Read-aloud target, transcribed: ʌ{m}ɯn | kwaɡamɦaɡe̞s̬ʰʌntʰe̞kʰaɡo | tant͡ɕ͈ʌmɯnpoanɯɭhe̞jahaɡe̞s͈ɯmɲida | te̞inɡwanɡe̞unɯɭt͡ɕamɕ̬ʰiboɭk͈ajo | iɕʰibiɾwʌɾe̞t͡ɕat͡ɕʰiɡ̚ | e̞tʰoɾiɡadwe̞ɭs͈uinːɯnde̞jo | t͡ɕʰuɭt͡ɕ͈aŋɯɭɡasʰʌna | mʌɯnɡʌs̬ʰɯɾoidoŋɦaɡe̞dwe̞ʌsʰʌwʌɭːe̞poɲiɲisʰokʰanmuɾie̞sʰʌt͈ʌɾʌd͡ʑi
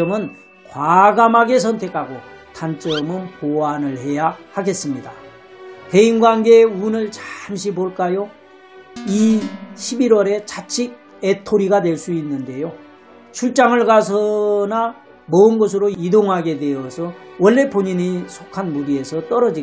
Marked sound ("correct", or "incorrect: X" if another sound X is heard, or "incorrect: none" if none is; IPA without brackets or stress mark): correct